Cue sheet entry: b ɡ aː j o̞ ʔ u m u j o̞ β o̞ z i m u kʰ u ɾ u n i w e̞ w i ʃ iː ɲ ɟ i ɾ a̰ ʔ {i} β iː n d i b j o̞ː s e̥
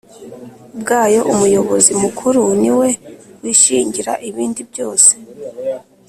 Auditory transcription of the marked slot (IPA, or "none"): i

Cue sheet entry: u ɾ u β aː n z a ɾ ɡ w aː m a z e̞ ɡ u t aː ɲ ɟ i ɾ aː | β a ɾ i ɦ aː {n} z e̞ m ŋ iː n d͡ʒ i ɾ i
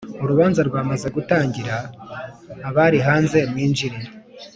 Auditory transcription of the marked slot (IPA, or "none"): n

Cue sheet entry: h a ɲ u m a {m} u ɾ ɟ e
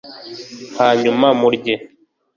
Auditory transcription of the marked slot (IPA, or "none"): m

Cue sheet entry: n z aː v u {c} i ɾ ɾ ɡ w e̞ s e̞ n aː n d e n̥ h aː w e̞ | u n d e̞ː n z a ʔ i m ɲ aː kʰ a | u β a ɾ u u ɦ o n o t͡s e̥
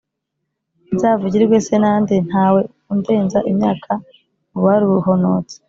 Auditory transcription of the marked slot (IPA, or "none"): ɟ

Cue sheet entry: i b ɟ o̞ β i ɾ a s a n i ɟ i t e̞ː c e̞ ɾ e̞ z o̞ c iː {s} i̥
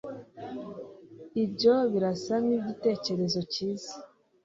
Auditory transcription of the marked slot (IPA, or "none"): z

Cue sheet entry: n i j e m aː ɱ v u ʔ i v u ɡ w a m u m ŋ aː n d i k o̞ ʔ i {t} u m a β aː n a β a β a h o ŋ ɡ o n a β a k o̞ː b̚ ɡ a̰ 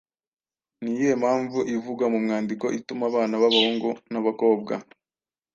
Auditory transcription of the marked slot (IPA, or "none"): t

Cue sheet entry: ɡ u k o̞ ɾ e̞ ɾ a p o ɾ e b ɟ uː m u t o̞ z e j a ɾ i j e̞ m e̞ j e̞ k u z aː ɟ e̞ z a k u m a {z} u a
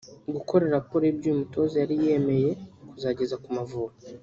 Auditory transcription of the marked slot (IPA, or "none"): v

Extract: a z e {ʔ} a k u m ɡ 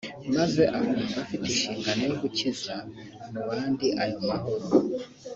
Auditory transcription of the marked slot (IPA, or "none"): ʔ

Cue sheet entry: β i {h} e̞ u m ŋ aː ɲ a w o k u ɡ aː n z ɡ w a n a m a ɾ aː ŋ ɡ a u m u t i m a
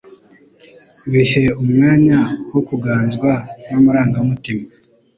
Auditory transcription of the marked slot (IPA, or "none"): ʃ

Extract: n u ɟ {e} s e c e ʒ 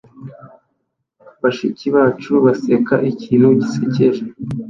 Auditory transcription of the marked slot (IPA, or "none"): i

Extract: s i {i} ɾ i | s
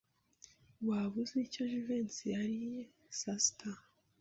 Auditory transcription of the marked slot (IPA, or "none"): a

